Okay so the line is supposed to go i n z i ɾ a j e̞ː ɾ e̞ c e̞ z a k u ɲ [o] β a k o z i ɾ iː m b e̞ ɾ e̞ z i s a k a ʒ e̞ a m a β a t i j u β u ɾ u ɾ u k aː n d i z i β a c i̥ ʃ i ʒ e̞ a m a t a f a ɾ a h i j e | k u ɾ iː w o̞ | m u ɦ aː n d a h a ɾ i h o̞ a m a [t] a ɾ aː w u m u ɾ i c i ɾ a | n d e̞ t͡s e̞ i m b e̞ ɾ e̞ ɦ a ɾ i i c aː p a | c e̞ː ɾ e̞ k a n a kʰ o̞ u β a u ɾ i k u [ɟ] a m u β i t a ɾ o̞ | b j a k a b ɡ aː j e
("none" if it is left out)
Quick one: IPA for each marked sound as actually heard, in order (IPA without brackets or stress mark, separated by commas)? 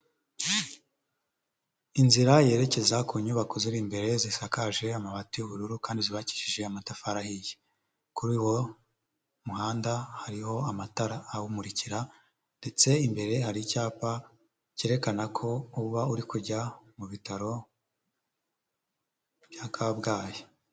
u, t, ɟ